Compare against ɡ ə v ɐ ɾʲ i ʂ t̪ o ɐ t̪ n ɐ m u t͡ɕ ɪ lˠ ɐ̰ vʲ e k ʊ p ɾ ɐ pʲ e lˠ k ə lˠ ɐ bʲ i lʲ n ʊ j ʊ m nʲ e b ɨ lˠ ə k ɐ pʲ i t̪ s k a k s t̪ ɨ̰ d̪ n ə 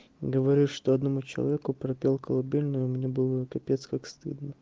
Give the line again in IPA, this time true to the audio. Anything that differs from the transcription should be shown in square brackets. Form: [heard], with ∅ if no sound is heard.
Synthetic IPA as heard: ɡ ə v ɐ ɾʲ i ʂ t̪ o ɐ [d̪] n ɐ m u t͡ɕ ɪ lˠ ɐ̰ vʲ e k ʊ p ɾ ɐ pʲ e lˠ k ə lˠ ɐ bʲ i lʲ n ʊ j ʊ m nʲ e b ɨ lˠ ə k ɐ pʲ [e] t̪ s k a k s t̪ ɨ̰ d̪ n ə